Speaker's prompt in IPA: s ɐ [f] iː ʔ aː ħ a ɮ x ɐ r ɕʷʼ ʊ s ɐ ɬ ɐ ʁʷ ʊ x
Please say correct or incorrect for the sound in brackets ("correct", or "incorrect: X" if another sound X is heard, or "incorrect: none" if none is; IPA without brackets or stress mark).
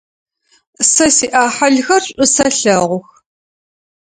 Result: incorrect: s